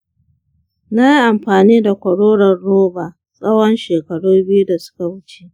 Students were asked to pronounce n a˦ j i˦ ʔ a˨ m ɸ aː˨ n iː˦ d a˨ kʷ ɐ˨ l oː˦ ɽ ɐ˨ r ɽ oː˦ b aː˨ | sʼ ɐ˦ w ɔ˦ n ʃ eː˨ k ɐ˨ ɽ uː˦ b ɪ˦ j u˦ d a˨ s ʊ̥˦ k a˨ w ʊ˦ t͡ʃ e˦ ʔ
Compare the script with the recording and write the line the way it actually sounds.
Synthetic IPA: n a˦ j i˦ ʔ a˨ m ɸ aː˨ n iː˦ d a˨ kʷ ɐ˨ ɽ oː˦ ɽ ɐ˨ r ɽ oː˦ b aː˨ | sʼ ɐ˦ w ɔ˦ n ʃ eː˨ k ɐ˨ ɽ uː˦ b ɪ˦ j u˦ d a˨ s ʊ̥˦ k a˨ w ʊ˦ t͡ʃ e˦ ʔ